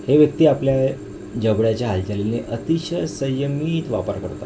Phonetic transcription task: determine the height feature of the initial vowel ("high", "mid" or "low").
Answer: mid